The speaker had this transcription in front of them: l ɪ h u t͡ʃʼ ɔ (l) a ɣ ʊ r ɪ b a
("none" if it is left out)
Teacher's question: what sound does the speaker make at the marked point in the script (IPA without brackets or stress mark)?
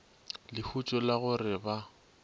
l